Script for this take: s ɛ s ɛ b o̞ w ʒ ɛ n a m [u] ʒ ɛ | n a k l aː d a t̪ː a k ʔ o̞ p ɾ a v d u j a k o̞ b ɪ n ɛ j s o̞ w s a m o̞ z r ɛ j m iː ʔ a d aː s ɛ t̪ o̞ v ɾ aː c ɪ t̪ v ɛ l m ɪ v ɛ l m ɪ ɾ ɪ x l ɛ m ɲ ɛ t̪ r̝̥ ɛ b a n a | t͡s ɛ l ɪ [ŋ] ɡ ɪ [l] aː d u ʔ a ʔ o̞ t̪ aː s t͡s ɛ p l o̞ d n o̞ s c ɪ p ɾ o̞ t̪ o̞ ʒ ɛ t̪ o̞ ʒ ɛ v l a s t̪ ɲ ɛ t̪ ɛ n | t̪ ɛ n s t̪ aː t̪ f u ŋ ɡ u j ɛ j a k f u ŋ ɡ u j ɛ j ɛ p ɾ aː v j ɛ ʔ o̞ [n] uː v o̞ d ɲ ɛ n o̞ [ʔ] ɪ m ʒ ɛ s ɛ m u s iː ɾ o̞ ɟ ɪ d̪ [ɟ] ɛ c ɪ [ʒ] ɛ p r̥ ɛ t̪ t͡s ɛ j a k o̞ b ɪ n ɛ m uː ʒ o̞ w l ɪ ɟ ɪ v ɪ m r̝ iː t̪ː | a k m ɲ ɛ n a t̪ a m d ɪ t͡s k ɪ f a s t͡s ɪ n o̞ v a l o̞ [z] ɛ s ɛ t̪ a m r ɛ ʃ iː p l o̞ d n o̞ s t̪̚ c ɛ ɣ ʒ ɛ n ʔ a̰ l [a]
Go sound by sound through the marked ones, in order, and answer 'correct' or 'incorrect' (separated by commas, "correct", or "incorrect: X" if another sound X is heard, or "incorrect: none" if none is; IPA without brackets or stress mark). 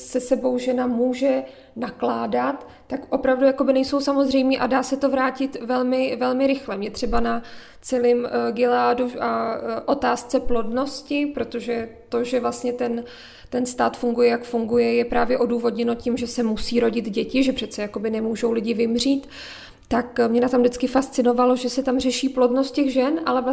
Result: incorrect: uː, incorrect: m, correct, incorrect: d, incorrect: c, correct, correct, incorrect: ʒ, incorrect: ɛ